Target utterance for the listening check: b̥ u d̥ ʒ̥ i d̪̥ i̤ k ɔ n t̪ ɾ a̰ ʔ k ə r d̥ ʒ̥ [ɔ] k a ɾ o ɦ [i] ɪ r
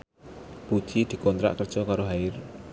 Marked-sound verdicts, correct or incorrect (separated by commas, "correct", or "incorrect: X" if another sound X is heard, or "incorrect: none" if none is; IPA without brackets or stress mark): correct, incorrect: a